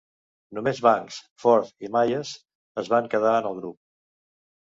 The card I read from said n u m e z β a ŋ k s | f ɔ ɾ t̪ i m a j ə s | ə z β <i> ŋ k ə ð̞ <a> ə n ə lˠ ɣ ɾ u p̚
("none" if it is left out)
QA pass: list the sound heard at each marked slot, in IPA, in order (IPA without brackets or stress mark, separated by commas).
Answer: a, a